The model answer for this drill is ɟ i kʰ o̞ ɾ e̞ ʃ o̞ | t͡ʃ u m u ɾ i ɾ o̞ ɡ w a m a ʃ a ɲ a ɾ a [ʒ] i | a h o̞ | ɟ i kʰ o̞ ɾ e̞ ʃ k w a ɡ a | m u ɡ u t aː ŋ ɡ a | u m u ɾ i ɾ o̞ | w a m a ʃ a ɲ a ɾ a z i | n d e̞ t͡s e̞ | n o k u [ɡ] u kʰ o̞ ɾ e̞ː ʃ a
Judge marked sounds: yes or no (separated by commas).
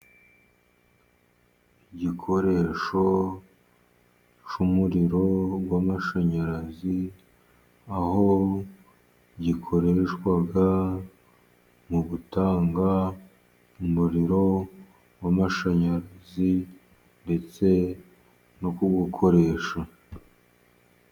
no, yes